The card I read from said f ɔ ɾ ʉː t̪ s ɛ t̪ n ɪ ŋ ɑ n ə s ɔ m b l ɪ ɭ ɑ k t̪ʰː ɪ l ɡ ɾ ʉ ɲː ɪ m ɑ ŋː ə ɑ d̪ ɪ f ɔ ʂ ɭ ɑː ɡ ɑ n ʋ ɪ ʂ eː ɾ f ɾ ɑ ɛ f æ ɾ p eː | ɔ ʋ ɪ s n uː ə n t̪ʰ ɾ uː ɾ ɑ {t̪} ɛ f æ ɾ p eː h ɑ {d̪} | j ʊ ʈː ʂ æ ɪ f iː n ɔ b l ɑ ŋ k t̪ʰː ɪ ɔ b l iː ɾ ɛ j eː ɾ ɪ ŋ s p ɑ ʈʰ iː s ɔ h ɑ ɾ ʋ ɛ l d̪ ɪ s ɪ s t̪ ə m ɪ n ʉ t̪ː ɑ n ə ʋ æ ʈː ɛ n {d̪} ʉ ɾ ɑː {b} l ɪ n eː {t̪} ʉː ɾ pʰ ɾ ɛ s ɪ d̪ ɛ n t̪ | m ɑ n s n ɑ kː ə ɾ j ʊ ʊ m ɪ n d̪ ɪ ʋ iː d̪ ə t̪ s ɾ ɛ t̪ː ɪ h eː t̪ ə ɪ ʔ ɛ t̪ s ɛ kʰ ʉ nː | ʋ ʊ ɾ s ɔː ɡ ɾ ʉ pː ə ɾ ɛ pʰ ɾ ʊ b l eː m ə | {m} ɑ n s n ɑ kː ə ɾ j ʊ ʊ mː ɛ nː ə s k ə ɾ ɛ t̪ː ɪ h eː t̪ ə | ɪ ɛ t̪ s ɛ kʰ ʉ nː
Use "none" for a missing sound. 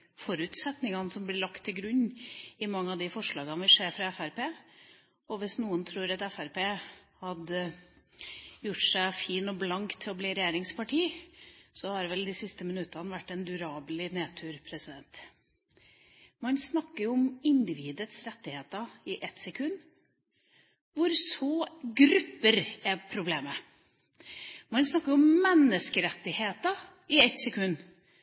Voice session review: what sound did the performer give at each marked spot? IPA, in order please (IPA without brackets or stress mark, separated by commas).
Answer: t̪, d̪, d̪, b, t̪ʰ, m